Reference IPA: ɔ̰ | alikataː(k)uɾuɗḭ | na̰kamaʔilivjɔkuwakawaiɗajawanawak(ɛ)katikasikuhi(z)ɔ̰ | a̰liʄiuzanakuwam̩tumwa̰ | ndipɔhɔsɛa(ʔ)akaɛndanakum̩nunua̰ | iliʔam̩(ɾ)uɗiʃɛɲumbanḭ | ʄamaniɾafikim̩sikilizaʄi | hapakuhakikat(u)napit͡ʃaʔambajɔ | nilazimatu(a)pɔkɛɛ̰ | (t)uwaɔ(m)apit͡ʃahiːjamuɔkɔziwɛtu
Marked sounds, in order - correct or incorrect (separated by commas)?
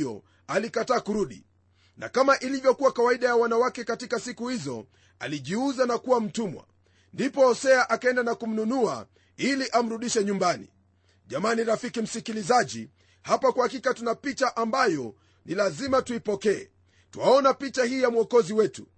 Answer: correct, correct, correct, correct, correct, correct, incorrect, correct, incorrect